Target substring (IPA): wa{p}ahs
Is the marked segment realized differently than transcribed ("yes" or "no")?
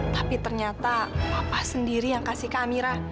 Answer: no